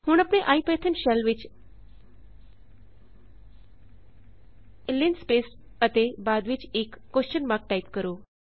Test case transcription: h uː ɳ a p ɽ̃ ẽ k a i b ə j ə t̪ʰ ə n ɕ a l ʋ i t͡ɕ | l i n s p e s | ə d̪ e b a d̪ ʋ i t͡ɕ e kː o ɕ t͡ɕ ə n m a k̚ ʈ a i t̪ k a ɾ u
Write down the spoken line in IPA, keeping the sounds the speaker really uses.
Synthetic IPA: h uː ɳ a p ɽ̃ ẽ ʔ a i p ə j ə t̪ʰ ə n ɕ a l ʋ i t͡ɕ | l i n s p e s | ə t̪ e b a d̪ ʋ i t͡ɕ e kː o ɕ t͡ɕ ə n m a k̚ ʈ a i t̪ k ə ɾ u